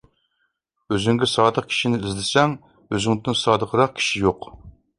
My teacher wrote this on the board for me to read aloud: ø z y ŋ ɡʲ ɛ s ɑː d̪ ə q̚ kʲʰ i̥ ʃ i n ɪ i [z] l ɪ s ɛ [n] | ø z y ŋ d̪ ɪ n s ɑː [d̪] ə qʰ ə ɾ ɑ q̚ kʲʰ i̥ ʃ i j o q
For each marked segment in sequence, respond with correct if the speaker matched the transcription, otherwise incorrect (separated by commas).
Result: correct, incorrect, correct